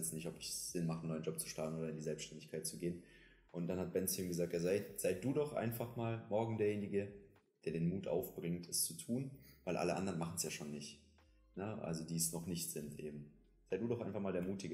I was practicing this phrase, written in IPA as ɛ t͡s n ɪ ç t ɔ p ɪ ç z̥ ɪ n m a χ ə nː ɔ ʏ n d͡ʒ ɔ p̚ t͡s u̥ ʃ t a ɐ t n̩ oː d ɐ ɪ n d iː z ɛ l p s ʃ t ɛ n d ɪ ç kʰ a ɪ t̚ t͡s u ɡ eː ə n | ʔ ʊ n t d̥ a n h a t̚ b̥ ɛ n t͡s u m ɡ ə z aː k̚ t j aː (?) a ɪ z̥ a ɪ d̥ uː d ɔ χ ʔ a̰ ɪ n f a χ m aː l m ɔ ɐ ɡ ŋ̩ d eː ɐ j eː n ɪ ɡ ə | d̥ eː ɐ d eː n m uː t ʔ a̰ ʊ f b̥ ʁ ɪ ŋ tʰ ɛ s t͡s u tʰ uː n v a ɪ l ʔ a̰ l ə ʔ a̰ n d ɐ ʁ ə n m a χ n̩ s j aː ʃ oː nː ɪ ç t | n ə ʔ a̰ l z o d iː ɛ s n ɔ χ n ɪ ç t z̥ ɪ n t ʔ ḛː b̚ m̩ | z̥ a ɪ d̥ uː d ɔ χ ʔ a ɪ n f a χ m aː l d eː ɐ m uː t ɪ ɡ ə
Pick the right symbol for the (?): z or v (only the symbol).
z